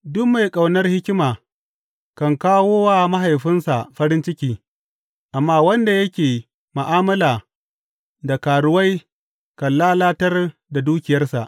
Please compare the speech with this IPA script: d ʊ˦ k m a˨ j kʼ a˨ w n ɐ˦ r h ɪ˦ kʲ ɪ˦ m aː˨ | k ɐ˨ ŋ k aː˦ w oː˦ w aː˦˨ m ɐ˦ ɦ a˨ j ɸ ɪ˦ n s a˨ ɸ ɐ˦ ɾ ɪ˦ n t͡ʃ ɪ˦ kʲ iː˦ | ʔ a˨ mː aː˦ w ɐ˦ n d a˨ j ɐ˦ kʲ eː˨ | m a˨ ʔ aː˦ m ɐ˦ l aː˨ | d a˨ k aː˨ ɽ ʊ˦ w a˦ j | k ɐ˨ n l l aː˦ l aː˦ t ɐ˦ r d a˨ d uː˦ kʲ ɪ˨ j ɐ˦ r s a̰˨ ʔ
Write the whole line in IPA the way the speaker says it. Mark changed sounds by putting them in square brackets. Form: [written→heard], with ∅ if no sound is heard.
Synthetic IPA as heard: d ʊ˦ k m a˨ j kʼ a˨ w n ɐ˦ r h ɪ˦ kʲ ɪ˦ m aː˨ | k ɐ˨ ŋ k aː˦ w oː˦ w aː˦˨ m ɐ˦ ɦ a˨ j ɸ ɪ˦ n s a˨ ɸ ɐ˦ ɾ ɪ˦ n t͡ʃ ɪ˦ kʲ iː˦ | ʔ a˨ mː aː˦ w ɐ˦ n d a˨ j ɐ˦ kʲ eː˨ | m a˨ ʔ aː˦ m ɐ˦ l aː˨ | d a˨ k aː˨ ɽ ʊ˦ w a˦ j | k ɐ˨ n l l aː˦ l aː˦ t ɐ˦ r d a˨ d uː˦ kʲ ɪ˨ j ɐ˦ r s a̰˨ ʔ